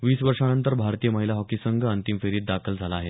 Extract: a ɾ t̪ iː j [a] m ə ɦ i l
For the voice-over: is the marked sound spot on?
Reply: no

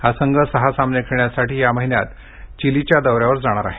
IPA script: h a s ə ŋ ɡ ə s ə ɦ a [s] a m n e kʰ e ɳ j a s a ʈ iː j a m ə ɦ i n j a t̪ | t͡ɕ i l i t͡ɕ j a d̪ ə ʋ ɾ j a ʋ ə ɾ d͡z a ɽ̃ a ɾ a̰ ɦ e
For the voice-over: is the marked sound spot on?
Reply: yes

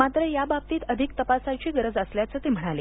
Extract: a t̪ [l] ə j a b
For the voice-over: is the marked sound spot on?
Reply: no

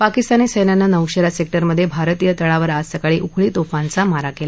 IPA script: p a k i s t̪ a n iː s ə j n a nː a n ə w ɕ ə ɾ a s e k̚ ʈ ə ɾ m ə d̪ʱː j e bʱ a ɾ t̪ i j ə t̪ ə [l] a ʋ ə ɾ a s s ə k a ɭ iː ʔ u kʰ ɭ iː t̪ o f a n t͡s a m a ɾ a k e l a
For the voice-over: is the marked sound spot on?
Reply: no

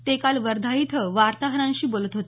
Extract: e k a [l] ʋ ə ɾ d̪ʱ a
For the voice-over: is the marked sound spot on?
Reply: yes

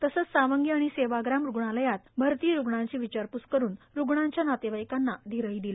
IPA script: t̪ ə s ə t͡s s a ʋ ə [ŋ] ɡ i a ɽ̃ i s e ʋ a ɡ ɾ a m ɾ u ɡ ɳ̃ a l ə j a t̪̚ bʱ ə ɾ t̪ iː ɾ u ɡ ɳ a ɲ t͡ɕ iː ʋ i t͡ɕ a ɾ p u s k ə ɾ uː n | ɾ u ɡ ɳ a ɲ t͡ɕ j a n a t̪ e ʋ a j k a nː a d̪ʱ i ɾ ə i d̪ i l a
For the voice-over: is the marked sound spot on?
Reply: yes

